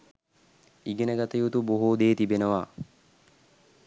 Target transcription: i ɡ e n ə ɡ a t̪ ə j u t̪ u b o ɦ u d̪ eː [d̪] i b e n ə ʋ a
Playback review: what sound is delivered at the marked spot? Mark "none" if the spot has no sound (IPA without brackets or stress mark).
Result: t̪